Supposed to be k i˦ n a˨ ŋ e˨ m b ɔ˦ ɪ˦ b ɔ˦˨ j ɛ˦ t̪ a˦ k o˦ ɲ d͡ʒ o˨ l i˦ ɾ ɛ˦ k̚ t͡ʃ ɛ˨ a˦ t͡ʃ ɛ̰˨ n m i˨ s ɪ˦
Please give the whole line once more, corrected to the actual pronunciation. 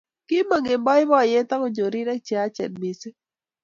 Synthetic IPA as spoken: k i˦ m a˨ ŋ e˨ m b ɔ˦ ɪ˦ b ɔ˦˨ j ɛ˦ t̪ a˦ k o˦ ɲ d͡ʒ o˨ ɾ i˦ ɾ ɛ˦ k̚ t͡ʃ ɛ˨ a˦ t͡ʃ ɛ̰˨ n m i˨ s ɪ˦